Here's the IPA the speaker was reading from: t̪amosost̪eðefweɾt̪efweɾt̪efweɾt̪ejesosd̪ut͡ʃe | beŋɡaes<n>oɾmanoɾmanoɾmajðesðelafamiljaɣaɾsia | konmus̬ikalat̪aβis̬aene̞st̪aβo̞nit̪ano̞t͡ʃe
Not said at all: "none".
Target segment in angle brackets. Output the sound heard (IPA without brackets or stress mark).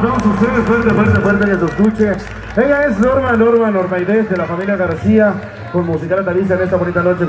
n